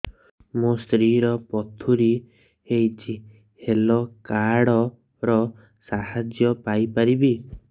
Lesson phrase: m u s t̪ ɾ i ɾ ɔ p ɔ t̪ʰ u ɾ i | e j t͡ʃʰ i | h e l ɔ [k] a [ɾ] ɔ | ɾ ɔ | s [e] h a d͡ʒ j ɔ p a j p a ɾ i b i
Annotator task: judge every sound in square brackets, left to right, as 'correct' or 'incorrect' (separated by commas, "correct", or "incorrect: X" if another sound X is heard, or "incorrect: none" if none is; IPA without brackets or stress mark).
correct, incorrect: ɽ, incorrect: a